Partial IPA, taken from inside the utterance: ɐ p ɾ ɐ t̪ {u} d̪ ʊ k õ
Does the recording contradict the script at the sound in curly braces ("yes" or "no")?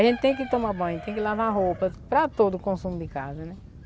yes